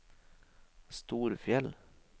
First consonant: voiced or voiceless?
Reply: voiceless